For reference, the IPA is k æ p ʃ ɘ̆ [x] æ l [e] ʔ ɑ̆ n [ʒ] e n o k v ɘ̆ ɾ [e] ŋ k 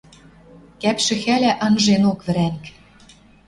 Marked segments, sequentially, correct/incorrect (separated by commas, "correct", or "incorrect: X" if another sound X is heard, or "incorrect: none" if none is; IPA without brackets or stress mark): correct, incorrect: æ, correct, incorrect: æ